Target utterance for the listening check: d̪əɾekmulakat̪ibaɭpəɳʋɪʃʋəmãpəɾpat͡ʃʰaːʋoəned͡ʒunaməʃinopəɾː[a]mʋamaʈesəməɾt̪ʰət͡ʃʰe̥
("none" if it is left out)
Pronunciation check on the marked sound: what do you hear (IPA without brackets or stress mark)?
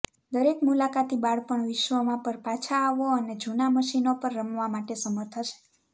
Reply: ə